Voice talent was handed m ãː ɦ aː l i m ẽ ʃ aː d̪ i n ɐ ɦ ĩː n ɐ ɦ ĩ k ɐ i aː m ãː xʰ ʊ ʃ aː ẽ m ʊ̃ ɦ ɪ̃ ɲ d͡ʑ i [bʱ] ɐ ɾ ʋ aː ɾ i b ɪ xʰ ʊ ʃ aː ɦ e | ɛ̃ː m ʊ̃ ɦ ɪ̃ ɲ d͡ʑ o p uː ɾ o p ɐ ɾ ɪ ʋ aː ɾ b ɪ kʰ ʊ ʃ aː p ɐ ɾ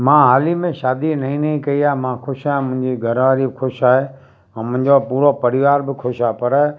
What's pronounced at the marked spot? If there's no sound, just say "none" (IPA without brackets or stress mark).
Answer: ɡʱ